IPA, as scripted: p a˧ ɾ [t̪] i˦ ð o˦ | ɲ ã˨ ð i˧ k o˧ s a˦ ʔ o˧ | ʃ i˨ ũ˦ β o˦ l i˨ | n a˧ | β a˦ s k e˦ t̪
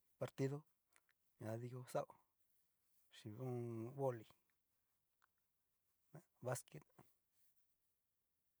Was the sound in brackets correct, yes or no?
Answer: yes